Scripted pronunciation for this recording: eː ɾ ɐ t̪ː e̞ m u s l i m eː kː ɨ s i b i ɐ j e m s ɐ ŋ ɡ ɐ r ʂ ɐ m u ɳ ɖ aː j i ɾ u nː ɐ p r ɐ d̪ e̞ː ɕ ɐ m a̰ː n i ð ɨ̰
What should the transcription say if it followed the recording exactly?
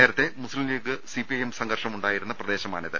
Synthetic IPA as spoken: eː ɾ ɐ t̪ː e̞ m u s l i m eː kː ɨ s i p i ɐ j e m s ɐ ŋ ɡ ɐ r ʂ ɐ m u ɳ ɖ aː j i ɾ u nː ɐ p r ɐ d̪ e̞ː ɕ ɐ m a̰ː n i ð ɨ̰